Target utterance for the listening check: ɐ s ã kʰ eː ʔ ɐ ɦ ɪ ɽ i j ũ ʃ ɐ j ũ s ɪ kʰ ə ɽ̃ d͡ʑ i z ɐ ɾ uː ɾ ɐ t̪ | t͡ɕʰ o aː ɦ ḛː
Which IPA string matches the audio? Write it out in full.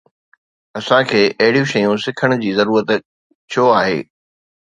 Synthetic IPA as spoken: ɐ s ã kʰ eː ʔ ɐ ɦ ɪ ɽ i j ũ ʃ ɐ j ũ s ɪ kʰ ə ɽ̃ d͡ʑ iː z ɐ ɾ uː ɾ ə t̪ | t͡ɕʰ o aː ɦ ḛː